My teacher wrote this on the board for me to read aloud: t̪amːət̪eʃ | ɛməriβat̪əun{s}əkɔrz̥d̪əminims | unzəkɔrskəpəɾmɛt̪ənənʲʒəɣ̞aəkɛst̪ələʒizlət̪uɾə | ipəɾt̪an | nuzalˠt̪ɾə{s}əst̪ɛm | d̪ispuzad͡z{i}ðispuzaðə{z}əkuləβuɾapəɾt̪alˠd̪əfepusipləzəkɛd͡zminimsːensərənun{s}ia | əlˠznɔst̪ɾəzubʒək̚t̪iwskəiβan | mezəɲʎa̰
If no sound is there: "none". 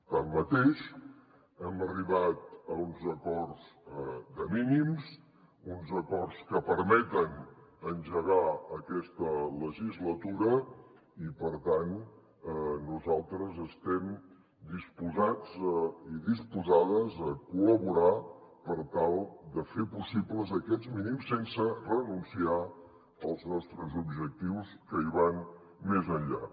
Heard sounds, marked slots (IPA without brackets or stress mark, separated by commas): z, z, i, z, s